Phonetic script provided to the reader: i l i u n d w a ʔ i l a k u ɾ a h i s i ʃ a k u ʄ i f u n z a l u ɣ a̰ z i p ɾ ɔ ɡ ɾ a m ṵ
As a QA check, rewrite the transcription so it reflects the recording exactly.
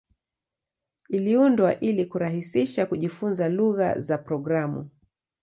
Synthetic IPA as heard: i l i u n d w a ʔ i l i k u ɾ a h i s i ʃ a k u ʄ i f u n z a l u ɣ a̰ z a p ɾ ɔ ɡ ɾ a m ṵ